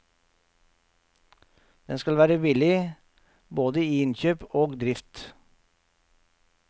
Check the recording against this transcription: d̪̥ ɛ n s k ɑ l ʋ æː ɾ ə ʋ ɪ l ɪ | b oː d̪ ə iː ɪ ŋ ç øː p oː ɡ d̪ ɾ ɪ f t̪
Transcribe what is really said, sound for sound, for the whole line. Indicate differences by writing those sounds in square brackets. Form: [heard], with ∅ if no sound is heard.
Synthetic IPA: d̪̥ ɛ n s k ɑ l ʋ æː ɾ ə ʋ ɪ l ɪ | b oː d̪ ə iː ɪ [n] ç øː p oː ɡ d̪ ɾ ɪ f t̪